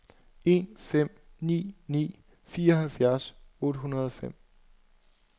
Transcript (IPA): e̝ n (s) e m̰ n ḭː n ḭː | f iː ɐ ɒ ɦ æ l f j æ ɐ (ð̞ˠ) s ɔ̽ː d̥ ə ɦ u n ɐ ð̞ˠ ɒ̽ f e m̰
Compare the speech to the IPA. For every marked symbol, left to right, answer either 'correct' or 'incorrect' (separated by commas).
incorrect, incorrect